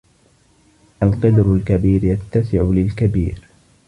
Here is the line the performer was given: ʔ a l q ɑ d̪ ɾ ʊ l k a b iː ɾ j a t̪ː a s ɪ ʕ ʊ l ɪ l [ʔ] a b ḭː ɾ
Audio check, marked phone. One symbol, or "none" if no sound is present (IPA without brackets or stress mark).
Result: k